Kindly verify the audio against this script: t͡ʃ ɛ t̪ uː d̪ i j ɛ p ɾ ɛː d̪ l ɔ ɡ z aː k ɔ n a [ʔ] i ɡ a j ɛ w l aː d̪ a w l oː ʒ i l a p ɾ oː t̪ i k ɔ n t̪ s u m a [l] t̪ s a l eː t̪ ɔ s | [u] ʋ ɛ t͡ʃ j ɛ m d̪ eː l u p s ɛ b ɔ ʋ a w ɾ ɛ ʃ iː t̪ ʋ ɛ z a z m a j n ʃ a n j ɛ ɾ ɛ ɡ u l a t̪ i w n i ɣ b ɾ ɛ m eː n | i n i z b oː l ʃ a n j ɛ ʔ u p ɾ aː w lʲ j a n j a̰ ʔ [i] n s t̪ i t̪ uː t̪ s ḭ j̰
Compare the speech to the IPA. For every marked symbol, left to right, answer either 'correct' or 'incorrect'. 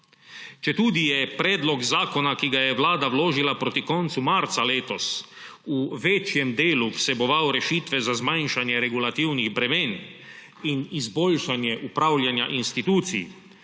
incorrect, incorrect, correct, correct

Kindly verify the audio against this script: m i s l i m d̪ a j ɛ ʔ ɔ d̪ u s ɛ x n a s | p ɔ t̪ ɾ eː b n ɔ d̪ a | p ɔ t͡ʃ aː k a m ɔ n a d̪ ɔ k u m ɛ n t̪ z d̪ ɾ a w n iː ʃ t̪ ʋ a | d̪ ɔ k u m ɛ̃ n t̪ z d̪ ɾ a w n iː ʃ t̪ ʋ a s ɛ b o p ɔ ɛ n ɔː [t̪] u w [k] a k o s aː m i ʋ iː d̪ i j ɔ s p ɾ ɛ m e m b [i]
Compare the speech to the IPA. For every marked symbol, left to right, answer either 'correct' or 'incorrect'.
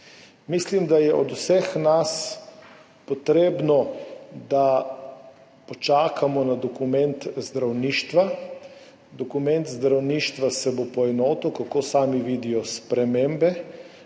correct, correct, incorrect

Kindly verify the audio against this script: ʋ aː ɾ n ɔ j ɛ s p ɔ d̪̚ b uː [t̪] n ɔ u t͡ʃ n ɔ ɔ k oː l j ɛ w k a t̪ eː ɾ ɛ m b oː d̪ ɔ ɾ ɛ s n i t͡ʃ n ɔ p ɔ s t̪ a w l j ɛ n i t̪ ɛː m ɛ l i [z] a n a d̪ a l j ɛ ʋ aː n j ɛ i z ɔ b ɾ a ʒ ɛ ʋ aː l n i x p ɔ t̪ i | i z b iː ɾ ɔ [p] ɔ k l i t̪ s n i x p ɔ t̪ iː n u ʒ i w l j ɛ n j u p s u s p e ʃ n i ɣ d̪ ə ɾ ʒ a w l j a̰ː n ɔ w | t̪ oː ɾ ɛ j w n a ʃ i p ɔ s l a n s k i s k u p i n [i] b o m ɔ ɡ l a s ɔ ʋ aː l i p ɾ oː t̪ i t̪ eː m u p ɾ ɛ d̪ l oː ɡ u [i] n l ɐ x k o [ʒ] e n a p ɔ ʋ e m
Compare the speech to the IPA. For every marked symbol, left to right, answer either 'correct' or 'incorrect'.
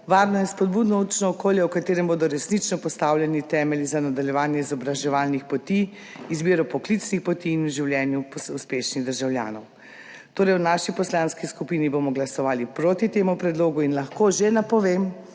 incorrect, correct, correct, correct, correct, correct

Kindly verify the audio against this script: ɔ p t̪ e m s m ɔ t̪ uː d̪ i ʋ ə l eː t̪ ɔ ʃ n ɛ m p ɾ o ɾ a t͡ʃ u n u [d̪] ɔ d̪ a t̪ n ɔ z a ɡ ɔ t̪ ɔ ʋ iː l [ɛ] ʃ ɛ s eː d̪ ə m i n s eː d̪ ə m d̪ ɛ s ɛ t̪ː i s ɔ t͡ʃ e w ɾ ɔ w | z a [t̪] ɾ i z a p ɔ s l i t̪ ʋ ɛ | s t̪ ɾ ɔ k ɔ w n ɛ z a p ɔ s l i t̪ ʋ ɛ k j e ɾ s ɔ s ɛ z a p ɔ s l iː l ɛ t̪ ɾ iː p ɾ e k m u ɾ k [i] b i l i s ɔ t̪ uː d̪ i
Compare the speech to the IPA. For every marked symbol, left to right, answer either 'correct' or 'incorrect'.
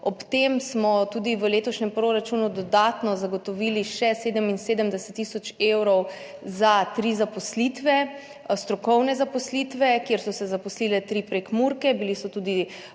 correct, incorrect, correct, incorrect

